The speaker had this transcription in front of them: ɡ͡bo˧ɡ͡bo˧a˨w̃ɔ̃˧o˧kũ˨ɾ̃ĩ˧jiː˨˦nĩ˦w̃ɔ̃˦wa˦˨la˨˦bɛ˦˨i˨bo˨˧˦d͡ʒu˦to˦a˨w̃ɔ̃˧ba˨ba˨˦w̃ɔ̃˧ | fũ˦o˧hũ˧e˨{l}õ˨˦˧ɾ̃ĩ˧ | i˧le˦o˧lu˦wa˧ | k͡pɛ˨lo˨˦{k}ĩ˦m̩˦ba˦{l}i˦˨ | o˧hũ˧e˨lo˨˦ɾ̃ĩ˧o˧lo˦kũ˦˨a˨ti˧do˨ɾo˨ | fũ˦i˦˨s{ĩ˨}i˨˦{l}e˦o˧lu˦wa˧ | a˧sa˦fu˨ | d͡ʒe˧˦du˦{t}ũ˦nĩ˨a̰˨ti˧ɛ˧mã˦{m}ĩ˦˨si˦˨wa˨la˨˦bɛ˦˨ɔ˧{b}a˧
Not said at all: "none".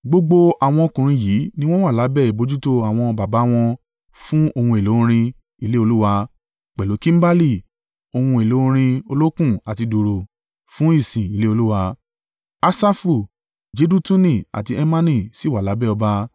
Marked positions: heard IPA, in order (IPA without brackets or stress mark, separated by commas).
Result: l, k, l, ĩ˨, l, t, n, b